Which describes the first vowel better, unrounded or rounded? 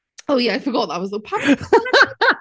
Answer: rounded